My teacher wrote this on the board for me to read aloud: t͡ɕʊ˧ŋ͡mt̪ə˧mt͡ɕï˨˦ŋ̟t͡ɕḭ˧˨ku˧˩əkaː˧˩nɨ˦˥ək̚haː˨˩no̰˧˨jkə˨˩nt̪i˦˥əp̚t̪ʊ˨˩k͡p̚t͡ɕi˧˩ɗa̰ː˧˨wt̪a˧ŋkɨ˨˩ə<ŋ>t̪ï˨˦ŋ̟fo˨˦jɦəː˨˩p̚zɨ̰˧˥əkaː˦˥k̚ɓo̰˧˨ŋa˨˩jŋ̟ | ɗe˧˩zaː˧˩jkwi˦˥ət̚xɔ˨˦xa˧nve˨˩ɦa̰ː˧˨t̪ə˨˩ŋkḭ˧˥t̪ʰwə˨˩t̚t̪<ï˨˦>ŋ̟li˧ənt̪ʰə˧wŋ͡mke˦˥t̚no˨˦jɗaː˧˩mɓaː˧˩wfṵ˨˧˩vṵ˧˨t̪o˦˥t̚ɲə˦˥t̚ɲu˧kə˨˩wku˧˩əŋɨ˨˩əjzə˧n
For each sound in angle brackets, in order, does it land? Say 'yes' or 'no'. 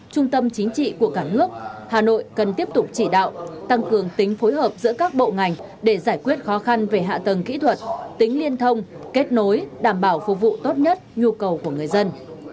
yes, yes

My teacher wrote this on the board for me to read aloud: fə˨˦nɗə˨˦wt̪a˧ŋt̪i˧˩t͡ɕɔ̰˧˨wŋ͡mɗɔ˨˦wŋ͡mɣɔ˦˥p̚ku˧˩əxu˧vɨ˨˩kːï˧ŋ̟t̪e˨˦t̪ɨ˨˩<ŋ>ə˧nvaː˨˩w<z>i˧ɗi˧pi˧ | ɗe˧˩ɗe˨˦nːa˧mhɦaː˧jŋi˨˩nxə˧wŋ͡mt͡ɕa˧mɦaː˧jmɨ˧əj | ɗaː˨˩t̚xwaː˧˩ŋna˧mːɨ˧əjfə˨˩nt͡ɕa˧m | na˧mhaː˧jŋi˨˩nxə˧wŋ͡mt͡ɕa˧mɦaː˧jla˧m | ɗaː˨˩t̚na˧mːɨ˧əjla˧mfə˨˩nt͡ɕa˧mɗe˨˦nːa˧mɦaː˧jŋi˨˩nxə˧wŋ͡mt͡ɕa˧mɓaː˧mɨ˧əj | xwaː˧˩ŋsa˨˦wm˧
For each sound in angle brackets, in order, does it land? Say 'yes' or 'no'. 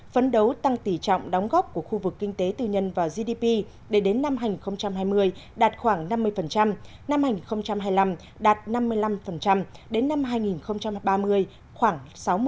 no, yes

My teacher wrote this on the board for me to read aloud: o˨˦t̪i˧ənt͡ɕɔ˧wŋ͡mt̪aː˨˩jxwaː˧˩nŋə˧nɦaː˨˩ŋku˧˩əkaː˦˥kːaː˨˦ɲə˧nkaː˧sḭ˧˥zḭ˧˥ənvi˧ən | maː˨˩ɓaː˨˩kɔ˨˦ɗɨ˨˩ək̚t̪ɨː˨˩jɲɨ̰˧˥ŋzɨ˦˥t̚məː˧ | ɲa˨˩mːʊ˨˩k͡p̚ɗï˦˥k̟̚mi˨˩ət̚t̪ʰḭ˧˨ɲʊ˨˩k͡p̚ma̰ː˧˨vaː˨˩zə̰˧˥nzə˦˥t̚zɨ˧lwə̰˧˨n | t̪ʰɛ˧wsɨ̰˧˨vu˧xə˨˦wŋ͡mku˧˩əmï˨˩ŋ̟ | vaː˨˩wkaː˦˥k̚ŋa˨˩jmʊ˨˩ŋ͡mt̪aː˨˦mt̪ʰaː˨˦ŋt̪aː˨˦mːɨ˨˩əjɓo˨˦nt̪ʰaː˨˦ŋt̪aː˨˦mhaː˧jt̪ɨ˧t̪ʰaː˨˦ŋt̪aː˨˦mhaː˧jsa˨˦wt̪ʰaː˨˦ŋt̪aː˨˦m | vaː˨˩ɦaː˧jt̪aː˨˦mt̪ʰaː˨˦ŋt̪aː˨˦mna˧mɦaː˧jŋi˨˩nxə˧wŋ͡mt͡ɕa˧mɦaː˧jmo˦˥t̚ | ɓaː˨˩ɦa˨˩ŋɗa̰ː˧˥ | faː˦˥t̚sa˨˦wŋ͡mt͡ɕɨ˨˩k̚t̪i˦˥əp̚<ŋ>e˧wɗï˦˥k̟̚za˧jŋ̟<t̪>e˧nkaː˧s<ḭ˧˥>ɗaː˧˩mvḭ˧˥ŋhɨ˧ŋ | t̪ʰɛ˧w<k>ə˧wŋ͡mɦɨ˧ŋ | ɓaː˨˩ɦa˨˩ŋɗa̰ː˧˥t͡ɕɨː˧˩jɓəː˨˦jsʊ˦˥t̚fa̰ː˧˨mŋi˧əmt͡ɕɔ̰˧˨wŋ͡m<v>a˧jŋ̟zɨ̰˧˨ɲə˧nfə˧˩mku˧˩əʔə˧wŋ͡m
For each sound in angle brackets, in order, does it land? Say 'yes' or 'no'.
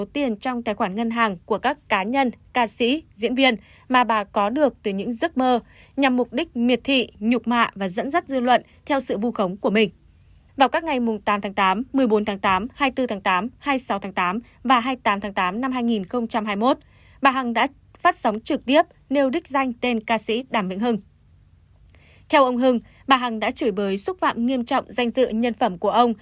no, yes, yes, no, no

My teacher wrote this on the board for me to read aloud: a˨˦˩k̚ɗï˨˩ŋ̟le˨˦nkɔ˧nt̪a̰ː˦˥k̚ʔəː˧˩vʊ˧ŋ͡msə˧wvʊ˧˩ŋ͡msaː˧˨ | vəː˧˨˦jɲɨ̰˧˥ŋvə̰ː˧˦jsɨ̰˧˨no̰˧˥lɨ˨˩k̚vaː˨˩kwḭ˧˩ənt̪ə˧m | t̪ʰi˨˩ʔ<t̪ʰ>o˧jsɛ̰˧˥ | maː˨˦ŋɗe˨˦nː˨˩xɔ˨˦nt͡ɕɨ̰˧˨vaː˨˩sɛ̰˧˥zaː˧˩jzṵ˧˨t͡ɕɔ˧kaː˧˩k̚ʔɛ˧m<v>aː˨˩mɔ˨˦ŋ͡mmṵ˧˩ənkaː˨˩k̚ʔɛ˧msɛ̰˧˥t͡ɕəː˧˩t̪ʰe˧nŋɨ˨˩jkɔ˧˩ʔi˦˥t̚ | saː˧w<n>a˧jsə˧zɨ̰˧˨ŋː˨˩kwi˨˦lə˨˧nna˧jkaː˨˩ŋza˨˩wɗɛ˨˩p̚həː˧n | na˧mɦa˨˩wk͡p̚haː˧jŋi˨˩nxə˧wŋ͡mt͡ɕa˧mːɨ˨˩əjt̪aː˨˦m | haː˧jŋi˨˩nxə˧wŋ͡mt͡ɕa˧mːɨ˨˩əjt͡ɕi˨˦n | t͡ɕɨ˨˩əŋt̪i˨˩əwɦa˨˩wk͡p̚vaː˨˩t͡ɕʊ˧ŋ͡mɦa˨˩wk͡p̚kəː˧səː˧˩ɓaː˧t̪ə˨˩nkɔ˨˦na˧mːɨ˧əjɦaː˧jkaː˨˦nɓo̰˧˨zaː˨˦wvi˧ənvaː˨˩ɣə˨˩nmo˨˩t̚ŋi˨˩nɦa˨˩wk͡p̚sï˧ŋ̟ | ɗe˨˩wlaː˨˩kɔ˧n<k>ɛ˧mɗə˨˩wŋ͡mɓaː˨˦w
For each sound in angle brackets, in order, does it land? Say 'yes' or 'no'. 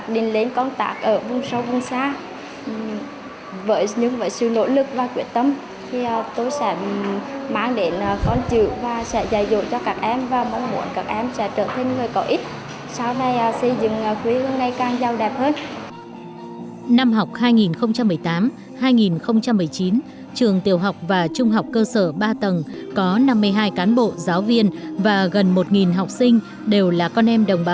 no, yes, yes, no

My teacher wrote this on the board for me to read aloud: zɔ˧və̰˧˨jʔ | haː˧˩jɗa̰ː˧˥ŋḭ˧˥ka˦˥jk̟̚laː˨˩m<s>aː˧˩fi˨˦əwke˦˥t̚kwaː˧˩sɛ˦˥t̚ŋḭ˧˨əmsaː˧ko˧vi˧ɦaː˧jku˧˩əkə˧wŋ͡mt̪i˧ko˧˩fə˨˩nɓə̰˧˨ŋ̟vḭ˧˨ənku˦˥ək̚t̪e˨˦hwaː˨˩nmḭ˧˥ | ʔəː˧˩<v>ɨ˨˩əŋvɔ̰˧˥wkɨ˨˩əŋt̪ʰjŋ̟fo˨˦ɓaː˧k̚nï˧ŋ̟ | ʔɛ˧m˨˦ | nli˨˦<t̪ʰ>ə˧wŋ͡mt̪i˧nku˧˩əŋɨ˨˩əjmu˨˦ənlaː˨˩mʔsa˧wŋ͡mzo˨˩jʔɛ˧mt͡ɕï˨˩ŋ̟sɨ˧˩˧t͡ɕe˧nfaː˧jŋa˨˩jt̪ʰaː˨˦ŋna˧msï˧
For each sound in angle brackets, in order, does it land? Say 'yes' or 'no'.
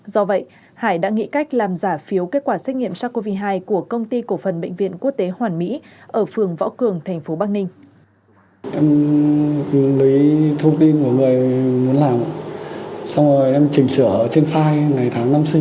no, no, yes

